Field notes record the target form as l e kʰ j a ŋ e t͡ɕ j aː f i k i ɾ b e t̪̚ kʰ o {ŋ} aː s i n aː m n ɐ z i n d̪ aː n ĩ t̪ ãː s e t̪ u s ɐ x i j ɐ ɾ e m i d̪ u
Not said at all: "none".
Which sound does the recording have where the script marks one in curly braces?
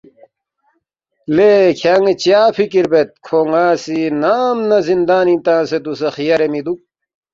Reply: ŋ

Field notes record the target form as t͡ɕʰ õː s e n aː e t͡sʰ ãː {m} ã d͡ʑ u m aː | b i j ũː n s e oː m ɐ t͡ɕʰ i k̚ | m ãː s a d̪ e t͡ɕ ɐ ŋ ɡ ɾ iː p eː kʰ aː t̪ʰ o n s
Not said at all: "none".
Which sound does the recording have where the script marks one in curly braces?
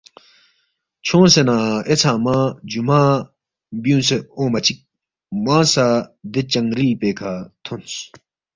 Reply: m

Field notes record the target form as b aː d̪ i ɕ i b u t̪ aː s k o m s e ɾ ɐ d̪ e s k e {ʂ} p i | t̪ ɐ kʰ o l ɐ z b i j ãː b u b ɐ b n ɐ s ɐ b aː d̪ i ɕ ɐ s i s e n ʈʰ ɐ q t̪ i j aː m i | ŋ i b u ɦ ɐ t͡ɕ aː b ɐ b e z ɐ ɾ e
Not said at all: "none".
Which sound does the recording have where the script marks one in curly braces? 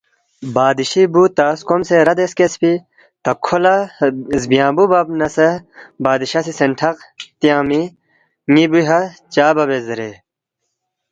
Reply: s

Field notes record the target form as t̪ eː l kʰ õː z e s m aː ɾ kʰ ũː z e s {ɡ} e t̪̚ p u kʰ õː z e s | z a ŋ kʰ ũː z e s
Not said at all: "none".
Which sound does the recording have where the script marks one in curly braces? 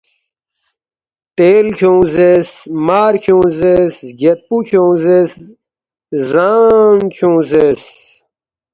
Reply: ɡ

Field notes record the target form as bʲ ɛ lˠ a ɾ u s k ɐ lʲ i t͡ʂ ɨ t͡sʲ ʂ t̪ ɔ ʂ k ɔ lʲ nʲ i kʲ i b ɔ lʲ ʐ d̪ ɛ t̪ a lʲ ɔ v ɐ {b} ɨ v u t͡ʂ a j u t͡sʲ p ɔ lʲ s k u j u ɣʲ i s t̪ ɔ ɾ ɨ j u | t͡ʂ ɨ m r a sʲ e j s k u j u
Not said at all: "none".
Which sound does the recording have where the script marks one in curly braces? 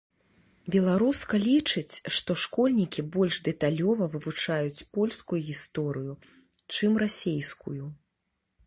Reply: v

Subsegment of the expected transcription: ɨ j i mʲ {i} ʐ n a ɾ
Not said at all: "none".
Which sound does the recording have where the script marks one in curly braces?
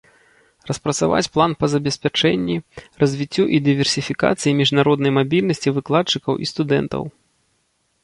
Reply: i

